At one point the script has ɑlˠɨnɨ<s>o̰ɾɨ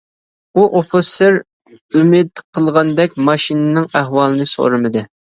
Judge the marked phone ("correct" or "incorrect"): correct